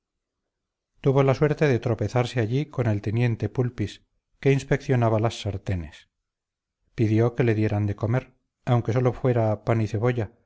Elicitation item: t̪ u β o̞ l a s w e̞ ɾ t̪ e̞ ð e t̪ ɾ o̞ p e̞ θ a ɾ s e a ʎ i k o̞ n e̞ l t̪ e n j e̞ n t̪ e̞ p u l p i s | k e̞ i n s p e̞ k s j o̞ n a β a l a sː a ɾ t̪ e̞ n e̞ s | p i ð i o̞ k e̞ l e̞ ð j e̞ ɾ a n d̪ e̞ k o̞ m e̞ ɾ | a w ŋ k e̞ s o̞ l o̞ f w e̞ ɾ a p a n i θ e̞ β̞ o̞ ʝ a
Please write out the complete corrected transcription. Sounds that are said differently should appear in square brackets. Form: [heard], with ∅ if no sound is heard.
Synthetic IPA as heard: t̪ u β o̞ l a s w e̞ ɾ t̪ e̞ ð e t̪ ɾ o̞ p e̞ θ a ɾ s e a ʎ i k o̞ n e̞ l t̪ e n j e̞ n t̪ e̞ p u l p i s | k e̞ i n s p e̞ k [θ] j o̞ n a β a l a sː a ɾ t̪ e̞ n e̞ s | p i ð [j] o̞ k e̞ l e̞ ð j e̞ ɾ a n d̪ e̞ k o̞ m e̞ ɾ | a w ŋ k e̞ s o̞ l o̞ f w e̞ ɾ a p a n i θ e̞ β̞ o̞ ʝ a